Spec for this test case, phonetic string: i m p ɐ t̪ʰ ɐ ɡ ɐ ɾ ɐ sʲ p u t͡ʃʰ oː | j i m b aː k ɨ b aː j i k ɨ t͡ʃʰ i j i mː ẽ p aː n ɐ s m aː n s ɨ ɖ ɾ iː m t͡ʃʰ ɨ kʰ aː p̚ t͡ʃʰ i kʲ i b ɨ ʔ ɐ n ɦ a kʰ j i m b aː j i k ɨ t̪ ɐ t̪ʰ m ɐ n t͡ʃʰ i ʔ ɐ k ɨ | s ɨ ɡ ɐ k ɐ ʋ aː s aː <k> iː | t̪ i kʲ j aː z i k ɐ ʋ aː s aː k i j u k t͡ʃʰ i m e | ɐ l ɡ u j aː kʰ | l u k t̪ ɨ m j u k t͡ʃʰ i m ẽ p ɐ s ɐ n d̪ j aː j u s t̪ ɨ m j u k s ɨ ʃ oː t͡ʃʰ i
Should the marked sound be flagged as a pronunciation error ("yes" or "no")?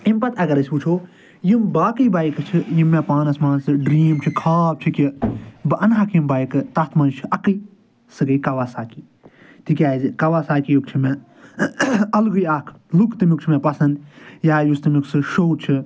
no